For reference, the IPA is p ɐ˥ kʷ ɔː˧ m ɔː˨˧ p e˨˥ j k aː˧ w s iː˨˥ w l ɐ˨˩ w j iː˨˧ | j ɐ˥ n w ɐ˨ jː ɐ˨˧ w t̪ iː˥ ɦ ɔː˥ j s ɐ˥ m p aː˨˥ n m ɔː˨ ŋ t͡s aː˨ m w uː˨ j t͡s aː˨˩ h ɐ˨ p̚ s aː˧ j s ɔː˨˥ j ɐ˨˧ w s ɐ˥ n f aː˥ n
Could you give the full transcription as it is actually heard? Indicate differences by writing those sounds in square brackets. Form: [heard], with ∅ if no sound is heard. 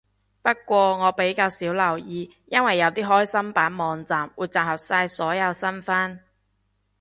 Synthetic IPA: p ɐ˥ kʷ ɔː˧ [ŋ] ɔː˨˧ p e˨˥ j k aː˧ w s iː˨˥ w l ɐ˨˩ w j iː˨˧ | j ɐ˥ n w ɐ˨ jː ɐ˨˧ w t̪ iː˥ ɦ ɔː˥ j s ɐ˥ m p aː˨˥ n m ɔː˨ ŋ t͡s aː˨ m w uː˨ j t͡s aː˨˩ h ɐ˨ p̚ s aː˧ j s ɔː˨˥ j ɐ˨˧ w s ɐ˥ n f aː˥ n